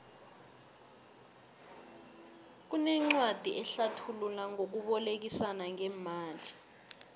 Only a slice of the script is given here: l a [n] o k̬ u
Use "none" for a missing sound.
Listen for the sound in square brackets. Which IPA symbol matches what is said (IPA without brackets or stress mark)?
ŋ